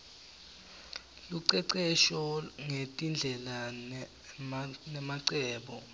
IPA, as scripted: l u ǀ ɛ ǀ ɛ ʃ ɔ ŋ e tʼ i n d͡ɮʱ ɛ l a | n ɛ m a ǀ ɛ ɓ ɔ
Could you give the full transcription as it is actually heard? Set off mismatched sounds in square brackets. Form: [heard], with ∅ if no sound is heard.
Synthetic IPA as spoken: l u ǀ ɛ ǀ ɛ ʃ ɔ ŋ e tʼ i n d͡ɮʱ ɛ l a | n ɛ m a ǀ [ɛː] ɓ ɔ